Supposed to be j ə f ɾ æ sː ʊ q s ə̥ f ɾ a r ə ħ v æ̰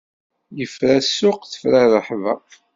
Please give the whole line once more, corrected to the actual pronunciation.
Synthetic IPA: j ə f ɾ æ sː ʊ q θ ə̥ f ɾ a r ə ħ v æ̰